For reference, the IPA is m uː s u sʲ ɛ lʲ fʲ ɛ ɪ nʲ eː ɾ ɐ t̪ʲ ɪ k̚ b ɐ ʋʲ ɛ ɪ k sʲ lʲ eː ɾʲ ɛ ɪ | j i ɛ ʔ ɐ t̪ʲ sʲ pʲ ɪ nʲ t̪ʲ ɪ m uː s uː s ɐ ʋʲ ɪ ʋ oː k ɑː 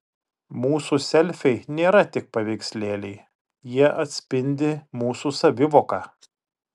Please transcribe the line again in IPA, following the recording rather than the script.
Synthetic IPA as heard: m uː s u sʲ ɛ lʲ fʲ ɛ ɪ nʲ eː ɾ ɐ t̪ʲ ɪ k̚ p ɐ ʋʲ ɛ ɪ k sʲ lʲ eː lʲ ɛ ɪ | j i ɛ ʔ ɐ t̪ʲ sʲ pʲ ɪ nʲ d̪ʲ ɪ m uː s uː s ɐ ʋʲ ɪ ʋ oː k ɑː

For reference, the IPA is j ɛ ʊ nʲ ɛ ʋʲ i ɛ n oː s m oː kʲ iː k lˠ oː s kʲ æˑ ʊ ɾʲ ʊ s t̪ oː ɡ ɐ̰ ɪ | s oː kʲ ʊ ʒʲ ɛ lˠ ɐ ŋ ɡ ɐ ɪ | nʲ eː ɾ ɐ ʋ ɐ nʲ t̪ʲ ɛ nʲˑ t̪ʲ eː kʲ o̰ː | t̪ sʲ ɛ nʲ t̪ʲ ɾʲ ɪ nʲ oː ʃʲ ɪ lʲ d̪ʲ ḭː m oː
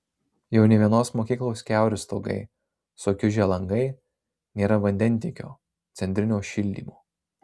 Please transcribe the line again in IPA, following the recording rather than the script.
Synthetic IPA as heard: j ɛ ʊ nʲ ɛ ʋʲ i ɛ n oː s m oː kʲ iː k lˠ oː s kʲ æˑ ʊ ɾʲ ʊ s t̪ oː ɡ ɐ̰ ɪ | s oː kʲ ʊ ʒʲ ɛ lˠ ɐ ŋ ɡ ɐ ɪ | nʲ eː ɾ ɐ ʋ ɐ nʲ d̪ʲ ɛ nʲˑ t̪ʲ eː kʲ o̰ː | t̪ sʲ ɛ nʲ t̪ʲ ɾʲ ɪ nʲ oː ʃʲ ɪ lʲ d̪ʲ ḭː m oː

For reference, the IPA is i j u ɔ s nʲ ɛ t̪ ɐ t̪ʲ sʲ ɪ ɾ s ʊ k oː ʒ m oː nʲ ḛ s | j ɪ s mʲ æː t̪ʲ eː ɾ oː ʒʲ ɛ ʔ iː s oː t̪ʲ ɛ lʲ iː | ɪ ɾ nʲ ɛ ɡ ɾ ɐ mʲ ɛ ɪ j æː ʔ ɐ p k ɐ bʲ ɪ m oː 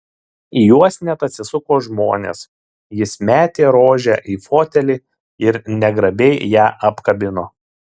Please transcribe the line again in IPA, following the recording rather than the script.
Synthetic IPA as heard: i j u ɔ s nʲ ɛ t̪ ɐ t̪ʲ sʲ ɪ s ʊ k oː ʒ m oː nʲ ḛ s | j ɪ s mʲ æː t̪ʲ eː ɾ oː ʒʲ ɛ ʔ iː f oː t̪ʲ ɛ lʲ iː | ɪ ɾ nʲ ɛ ɡ ɾ ɐ bʲ ɛ ɪ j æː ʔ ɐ p k ɐ bʲ ɪ n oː

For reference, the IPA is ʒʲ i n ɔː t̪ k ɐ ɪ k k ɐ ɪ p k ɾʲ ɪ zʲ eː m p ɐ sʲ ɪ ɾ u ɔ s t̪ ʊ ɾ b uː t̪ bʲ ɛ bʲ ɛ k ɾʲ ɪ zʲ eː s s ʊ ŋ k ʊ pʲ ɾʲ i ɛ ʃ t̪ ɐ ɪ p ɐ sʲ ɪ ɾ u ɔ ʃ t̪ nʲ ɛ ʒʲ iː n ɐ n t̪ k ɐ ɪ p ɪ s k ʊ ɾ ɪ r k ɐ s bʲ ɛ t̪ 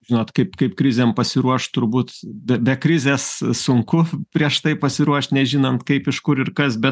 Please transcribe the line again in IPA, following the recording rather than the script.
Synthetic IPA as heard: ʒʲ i n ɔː t̪ k ɐ ɪ p k ɐ ɪ p k ɾʲ ɪ zʲ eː m p ɐ sʲ ɪ ɾ u ɔ ʃ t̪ ʊ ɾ b uː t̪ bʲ ɛ bʲ ɛ k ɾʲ ɪ zʲ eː s s ʊ ŋ k ʊ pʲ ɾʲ i ɛ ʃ t̪ ɐ ɪ p ɐ sʲ ɪ ɾ u ɔ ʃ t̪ nʲ ɛ ʒʲ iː n ɐ n t̪ k ɐ ɪ p ɪ ʃ k ʊ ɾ ɪ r k ɐ s bʲ ɛ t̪

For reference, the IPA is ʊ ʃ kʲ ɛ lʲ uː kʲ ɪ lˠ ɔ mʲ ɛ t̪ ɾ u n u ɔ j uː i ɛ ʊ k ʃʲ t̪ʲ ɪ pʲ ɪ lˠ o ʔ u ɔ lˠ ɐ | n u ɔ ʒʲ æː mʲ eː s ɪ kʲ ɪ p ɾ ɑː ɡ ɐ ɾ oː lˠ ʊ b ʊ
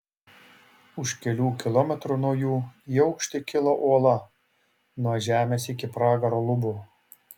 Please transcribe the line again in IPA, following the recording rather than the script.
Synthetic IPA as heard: ʊ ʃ kʲ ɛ lʲ uː kʲ ɪ lˠ ɔ mʲ ɛ t̪ ɾ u n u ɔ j uː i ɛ ʊ k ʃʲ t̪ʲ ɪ kʲ ɪ lˠ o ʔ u ɔ lˠ ɐ | n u ɔ ʒʲ æː mʲ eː s ɪ kʲ ɪ p ɾ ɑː ɡ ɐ ɾ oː lˠ ʊ b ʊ

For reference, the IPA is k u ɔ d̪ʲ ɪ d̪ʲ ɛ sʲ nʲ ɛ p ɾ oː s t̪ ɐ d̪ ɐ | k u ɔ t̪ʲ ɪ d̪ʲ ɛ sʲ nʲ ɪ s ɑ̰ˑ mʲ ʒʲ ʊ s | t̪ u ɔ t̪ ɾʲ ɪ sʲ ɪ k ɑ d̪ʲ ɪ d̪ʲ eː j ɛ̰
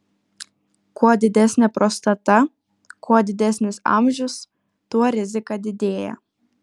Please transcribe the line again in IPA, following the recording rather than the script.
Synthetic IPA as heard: k u ɔ d̪ʲ ɪ d̪ʲ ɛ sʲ nʲ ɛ p ɾ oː s t̪ ɐ t̪ ɐ | k u ɔ d̪ʲ ɪ d̪ʲ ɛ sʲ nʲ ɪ s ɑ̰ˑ mʲ ʒʲ ʊ s | t̪ u ɔ ɾʲ ɪ zʲ ɪ k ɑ d̪ʲ ɪ d̪ʲ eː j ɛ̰

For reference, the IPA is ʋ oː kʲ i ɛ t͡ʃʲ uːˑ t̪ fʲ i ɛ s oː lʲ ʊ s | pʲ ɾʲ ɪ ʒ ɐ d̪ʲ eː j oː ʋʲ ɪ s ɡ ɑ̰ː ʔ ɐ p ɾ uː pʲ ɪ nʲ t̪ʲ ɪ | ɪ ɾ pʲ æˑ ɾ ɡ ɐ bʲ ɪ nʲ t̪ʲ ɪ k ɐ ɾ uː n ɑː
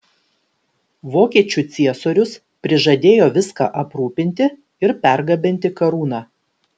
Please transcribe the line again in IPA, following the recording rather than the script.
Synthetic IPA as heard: ʋ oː kʲ i ɛ t͡ʃʲ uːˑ t̪ sʲ i ɛ s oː ɾʲ ʊ s | pʲ ɾʲ ɪ ʒ ɐ d̪ʲ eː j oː ʋʲ ɪ s k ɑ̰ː ʔ ɐ p ɾ uː pʲ ɪ nʲ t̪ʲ ɪ | ɪ ɾ pʲ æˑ ɾ ɡ ɐ bʲ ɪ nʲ t̪ʲ ɪ k ɐ ɾ uː n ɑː

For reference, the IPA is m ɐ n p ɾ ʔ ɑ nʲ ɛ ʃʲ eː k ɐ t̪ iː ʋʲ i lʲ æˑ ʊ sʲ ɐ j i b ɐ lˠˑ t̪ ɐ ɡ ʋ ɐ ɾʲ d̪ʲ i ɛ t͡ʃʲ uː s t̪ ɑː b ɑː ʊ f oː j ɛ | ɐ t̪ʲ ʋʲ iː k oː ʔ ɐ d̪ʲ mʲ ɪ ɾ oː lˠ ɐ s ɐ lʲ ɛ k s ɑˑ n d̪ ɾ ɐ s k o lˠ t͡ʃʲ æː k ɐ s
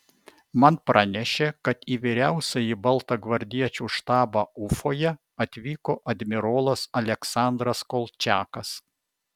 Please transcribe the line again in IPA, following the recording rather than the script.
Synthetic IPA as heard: m ɐ n p ɾ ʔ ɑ nʲ ɛ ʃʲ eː k ɐ t̪ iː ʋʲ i ɾʲ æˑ ʊ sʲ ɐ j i b ɐ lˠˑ t̪ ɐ ɡ ʋ ɐ ɾʲ d̪ʲ i ɛ t͡ʃʲ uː ʃ t̪ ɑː b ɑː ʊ f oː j ɛ | ɐ t̪ʲ ʋʲ iː k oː ʔ ɐ d̪ʲ mʲ ɪ ɾ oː lˠ ɐ s ɐ lʲ ɛ k s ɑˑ n d̪ ɾ ɐ s k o lˠ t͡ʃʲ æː k ɐ s

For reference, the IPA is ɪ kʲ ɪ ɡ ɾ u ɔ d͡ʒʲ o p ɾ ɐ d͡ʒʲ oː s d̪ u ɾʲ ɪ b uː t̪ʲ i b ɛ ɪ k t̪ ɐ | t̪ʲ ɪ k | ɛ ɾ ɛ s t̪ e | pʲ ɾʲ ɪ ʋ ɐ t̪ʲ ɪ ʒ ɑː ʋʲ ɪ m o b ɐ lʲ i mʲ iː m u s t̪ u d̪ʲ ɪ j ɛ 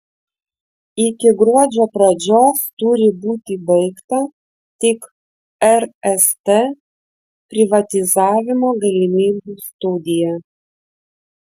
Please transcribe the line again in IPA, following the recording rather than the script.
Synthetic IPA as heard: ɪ kʲ ɪ ɡ ɾ u ɔ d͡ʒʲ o p ɾ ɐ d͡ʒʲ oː s t̪ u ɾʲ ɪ b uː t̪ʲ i b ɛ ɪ k t̪ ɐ | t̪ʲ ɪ k | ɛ ɾ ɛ s t̪ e | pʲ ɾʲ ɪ ʋ ɐ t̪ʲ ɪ z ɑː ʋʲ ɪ m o ɡ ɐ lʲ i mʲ iː b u s t̪ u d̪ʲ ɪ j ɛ

